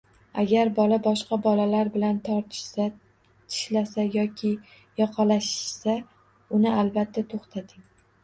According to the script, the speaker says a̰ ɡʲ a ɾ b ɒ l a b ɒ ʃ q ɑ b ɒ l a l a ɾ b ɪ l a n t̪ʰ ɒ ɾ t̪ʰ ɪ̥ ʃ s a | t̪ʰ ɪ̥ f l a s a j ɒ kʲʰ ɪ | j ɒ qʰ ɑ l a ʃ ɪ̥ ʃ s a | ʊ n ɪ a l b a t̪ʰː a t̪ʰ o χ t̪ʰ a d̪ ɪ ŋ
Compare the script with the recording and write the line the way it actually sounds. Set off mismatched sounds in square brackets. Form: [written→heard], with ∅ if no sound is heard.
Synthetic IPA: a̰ ɡʲ a ɾ b ɒ l a b ɒ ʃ q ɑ b ɒ l a l a ɾ b ɪ l a n t̪ʰ ɒ ɾ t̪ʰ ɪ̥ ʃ s a | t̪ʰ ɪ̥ [f→ʃ] l a s a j ɒ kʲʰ ɪ | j ɒ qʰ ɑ l a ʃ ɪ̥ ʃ s a | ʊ n ɪ a l b a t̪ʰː a t̪ʰ o χ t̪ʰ a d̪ ɪ ŋ